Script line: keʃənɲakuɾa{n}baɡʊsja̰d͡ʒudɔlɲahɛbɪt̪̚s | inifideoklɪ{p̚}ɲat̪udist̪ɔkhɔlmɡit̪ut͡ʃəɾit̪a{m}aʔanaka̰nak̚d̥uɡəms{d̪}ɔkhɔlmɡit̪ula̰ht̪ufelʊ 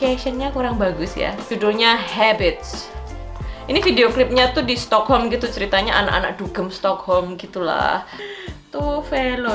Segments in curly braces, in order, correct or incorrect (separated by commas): incorrect, correct, incorrect, incorrect